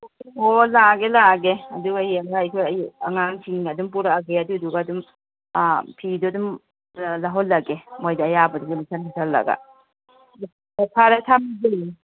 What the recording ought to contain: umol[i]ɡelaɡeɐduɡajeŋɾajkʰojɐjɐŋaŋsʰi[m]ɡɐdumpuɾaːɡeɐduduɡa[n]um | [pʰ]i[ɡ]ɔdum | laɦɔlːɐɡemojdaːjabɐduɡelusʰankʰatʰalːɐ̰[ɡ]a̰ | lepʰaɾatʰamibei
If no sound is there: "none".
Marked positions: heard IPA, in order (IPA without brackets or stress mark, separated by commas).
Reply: a, ŋ, d, pʰ, d, ɡ